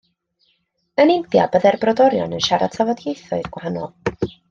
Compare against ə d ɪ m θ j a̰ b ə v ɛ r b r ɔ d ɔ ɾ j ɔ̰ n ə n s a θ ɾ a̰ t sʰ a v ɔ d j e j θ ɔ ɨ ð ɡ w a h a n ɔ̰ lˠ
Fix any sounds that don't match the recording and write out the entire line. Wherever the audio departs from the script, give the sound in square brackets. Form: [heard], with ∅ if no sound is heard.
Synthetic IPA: ə [n] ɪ m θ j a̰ b ə [ð] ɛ r b r ɔ d ɔ ɾ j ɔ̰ n ə n [ʃ] a [∅] ɾ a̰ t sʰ a v ɔ d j e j θ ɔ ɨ ð ɡ w a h a n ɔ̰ lˠ